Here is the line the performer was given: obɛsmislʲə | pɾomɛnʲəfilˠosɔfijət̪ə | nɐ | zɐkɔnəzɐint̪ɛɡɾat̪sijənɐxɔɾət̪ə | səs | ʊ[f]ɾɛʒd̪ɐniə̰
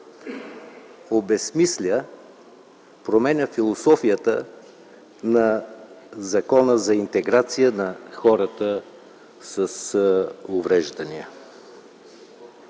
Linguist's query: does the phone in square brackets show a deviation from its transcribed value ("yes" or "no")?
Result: yes